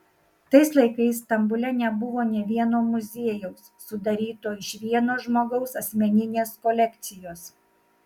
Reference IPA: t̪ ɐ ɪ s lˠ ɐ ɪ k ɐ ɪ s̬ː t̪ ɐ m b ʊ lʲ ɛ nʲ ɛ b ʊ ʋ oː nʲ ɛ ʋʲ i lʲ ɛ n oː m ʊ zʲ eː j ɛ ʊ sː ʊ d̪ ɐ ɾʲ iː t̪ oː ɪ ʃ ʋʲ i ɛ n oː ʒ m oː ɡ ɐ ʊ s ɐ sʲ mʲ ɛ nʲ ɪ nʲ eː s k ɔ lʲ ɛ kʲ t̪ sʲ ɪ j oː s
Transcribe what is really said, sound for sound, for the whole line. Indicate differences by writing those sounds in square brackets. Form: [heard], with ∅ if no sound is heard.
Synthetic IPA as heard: t̪ ɐ ɪ s lˠ ɐ ɪ k ɐ ɪ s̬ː t̪ ɐ m b ʊ lʲ ɛ nʲ ɛ b ʊ ʋ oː nʲ ɛ ʋʲ i [∅] ɛ n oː m ʊ zʲ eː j ɛ ʊ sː ʊ d̪ ɐ ɾʲ iː t̪ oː ɪ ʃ ʋʲ i ɛ n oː ʒ m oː ɡ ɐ ʊ s ɐ sʲ mʲ ɛ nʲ ɪ nʲ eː s k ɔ lʲ ɛ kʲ t̪ sʲ ɪ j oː s